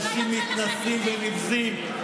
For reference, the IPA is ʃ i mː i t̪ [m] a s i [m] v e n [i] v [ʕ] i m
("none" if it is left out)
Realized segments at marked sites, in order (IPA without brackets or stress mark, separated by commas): n, m, i, z